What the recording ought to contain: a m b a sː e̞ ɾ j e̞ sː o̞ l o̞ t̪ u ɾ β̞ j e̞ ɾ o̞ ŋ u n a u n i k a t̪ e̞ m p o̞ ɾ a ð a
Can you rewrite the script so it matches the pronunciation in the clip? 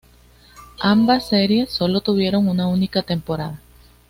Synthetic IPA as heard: a m b a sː e̞ ɾ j e̞ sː o̞ l o̞ t̪ u β̞ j e̞ ɾ o̞ ŋ u n a u n i k a t̪ e̞ m p o̞ ɾ a ð a